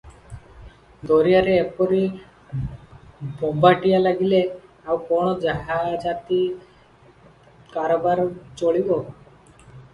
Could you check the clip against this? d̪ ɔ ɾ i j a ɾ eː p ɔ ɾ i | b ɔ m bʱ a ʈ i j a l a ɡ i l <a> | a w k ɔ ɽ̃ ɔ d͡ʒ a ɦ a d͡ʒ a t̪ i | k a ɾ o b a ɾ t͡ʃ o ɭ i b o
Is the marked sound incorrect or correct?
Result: incorrect